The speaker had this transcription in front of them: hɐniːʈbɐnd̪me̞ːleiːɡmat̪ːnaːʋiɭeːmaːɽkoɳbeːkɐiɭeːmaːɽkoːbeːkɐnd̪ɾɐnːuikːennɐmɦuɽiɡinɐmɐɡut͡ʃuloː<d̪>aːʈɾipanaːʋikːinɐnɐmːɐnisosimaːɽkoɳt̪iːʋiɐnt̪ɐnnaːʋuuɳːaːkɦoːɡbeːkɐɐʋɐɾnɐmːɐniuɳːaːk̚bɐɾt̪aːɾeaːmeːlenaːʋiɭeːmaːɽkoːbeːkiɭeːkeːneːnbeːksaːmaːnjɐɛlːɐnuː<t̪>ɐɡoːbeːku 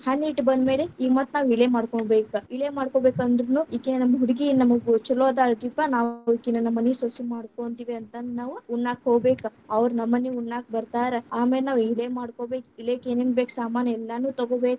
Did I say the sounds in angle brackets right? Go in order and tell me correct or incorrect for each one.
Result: correct, correct

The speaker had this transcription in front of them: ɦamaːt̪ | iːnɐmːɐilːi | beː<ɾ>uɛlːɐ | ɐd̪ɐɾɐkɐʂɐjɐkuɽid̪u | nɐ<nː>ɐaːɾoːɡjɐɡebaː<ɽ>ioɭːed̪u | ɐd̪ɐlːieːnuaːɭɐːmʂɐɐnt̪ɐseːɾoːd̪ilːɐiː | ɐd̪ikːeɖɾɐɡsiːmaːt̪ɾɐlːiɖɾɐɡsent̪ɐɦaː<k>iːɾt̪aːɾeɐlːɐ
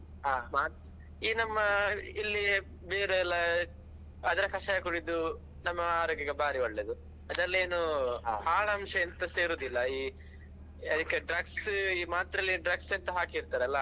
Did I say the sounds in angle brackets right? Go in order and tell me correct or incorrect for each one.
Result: correct, incorrect, incorrect, correct

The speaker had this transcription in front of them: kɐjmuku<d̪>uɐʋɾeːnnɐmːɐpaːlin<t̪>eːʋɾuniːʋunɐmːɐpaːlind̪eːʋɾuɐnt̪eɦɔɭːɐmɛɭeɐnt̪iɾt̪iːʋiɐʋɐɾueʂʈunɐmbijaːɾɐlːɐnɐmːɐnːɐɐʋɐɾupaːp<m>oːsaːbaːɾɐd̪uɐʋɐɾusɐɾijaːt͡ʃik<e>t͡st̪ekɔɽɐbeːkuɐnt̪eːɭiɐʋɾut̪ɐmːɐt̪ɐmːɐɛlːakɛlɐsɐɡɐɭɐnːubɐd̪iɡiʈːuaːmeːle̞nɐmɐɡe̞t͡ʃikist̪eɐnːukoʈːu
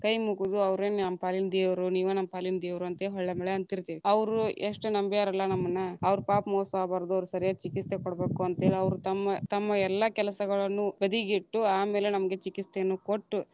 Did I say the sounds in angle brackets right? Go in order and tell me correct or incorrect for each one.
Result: correct, incorrect, correct, incorrect

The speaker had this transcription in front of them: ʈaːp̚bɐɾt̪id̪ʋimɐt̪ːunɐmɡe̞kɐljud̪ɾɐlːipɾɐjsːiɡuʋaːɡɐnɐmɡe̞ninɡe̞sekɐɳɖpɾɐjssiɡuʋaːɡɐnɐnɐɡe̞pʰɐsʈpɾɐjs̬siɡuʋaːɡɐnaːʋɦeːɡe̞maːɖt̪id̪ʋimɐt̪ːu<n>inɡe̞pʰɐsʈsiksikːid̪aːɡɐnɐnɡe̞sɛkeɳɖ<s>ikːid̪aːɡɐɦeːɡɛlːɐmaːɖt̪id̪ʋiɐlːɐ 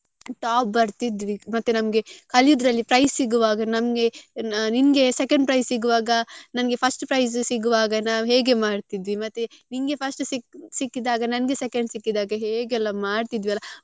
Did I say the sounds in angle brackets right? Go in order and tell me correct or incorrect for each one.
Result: correct, correct

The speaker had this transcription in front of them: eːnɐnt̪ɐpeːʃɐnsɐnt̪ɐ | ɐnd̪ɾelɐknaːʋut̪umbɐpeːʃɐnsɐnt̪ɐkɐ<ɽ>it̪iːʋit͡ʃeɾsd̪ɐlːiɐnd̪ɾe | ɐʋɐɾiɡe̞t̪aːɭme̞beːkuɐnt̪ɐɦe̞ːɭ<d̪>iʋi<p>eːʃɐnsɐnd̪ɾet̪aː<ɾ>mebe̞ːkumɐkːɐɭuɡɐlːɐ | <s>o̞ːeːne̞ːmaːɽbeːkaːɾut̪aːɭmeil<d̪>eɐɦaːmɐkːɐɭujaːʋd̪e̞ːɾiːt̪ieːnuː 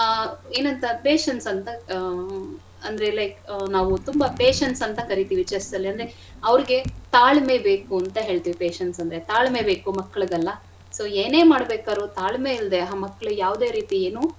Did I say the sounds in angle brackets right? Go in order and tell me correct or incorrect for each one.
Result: incorrect, incorrect, correct, incorrect, correct, correct

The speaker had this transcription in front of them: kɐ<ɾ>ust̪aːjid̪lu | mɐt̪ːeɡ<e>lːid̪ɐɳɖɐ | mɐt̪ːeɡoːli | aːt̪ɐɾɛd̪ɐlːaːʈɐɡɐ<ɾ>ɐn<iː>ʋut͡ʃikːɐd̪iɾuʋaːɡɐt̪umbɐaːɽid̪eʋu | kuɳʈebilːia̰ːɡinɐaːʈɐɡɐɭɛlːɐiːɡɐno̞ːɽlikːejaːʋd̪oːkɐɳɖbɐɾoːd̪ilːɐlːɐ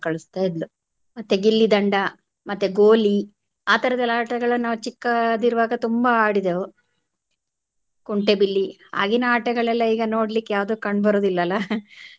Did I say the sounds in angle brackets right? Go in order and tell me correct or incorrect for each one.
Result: incorrect, incorrect, incorrect, incorrect

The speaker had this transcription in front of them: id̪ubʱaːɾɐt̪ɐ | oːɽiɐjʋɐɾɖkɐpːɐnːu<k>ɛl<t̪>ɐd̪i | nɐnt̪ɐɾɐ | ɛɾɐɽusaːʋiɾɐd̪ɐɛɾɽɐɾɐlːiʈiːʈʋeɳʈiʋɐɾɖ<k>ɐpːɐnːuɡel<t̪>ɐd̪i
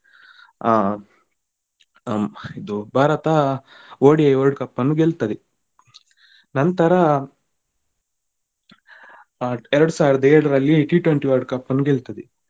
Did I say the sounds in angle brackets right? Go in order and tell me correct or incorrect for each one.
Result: incorrect, correct, correct, correct

